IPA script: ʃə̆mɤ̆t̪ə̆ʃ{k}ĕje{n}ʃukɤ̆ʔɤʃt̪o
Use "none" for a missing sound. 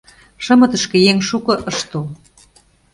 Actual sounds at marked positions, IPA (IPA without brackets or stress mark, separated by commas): k, ŋ